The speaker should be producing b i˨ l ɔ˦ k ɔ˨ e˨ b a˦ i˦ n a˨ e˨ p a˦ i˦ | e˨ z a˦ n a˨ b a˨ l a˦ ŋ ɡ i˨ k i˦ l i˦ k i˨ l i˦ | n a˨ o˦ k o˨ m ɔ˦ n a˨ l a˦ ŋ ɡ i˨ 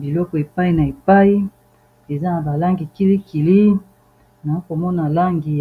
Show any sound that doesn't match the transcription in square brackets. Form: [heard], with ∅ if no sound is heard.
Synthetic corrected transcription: b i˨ l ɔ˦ k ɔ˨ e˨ [p] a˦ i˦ n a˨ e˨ p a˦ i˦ | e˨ z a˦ n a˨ b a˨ l a˦ ŋ ɡ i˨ k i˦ l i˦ k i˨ l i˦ | n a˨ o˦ k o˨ m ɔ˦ n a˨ l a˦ ŋ ɡ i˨